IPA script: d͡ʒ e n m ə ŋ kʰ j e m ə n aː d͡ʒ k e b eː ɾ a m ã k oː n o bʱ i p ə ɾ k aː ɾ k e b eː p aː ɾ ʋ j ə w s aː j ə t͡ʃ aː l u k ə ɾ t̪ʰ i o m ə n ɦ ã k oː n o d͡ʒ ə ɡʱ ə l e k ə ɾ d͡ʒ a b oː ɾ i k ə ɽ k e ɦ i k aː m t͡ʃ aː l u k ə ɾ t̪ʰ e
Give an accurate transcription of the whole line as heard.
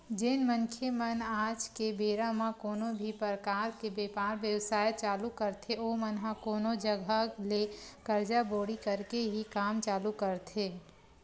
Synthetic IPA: d͡ʒ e n m ə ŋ kʰ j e m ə n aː d͡ʒ k e b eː ɾ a m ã k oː n o bʱ i p ə ɾ k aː ɾ k e b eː p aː ɾ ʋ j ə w s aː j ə t͡ʃ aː l u k ə ɾ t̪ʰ e o m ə n ɦ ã k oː n o d͡ʒ ə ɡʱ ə l e k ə ɾ d͡ʒ a b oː ɽ i k ə ɾ k e ɦ i k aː m t͡ʃ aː l u k ə ɾ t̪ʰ e

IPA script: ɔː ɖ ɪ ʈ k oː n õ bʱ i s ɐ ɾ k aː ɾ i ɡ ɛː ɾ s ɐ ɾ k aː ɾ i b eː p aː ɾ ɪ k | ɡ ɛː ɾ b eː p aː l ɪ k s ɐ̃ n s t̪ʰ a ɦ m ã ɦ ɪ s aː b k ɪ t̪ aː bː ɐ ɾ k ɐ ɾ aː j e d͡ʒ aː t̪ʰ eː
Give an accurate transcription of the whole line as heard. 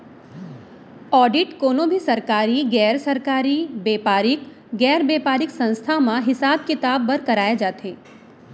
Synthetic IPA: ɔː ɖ ɪ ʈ k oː n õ bʱ i s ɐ ɾ k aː ɾ i ɡ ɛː ɾ s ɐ ɾ k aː ɾ i b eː p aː ɾ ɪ k | ɡ ɛː ɾ b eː p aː ɾ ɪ k s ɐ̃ n s t̪ʰ a m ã ɦ ɪ s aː b k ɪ t̪ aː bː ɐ ɾ k ɐ ɾ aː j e d͡ʒ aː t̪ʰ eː

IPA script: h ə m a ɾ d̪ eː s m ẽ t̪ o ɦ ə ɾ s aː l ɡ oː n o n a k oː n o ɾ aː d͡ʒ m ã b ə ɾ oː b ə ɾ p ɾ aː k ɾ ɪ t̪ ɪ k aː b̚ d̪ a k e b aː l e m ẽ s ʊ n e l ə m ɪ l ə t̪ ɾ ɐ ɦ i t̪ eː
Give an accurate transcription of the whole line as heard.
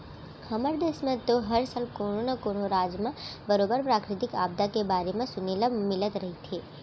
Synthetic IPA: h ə m ə ɾ d̪ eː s m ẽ t̪ o ɦ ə ɾ s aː l k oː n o n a k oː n o ɾ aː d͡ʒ m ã b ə ɾ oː b ə ɾ p ɾ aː k ɾ ɪ t̪ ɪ k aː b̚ d̪ a k e b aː ɾ e m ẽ s ʊ n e l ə m ɪ l ə t̪ ɾ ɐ ɦ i t̪ʰ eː

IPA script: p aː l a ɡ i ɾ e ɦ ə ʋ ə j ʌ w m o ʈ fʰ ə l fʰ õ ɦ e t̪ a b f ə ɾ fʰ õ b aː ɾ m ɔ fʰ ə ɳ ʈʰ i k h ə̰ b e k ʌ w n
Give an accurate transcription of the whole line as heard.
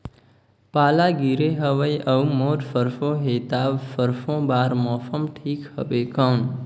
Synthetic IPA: p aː l a ɡ i ɾ e ɦ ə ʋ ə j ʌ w m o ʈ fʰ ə ɾ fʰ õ ɦ e t̪ a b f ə ɾ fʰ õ b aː ɾ m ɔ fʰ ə m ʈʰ i k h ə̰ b e k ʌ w n

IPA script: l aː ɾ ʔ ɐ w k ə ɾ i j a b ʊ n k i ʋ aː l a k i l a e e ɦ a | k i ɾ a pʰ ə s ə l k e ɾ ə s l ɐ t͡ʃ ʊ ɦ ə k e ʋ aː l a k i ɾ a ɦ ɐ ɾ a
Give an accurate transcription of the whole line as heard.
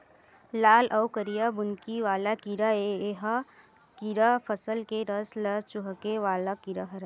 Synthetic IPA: l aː l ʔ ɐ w k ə ɾ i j a b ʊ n k i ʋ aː l a k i ɾ a e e ɦ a | k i ɾ a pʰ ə s ə l k e ɾ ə s l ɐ t͡ʃ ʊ ɦ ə k e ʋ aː l a k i ɾ a ɦ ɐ ɾ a

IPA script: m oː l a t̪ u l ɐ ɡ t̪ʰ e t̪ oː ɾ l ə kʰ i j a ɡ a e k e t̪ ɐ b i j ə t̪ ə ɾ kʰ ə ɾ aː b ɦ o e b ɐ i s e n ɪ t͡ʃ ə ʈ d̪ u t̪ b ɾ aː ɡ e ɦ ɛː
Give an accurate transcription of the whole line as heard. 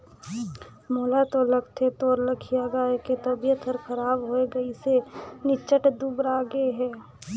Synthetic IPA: m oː l a t̪ o l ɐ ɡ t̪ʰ e t̪ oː ɾ l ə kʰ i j a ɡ a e k e t̪ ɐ b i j ə t̪ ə ɾ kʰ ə ɾ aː b ɦ o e ɡ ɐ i s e n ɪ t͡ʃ ə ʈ d̪ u b ɾ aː ɡ e ɦ ɛː

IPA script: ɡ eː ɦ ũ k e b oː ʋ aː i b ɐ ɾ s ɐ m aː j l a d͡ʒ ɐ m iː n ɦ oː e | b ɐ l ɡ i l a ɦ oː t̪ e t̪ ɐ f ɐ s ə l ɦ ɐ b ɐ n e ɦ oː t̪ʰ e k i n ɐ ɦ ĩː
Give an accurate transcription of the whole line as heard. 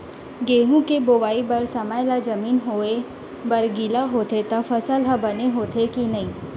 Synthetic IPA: ɡ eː ɦ ũ k e b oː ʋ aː i b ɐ ɾ s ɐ m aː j l a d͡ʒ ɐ m iː n ɦ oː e | b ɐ ɾ ɡ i l a ɦ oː t̪ e t̪ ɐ f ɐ s ə l ɦ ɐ b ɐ n e ɦ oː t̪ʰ e k i n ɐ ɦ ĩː

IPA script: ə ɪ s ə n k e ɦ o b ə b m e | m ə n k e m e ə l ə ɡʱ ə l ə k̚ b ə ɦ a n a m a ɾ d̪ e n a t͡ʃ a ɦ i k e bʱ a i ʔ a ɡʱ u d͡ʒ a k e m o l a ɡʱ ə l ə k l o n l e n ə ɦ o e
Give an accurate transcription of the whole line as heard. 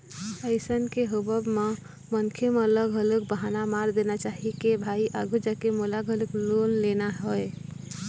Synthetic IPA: ə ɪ s ə n k e ɦ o b ə b m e | m ə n kʰ e m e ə l ə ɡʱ ə l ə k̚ b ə ɦ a n a m a ɾ d̪ e n a t͡ʃ a ɦ i k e bʱ a i ʔ a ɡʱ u d͡ʒ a k e m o l a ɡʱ ə l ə k l o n l e n a ɦ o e

